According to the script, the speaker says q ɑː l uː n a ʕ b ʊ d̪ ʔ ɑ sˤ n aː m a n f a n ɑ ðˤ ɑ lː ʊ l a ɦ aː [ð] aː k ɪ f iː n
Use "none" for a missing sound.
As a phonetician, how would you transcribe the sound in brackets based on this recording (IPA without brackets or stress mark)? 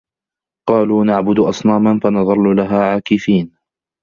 ʕ